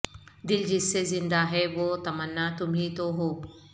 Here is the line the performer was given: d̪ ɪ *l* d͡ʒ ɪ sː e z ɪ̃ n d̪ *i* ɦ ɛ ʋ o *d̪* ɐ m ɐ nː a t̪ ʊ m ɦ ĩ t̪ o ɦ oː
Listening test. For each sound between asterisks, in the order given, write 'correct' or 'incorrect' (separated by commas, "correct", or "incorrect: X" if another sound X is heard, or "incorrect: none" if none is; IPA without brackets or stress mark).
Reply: correct, incorrect: a, incorrect: t̪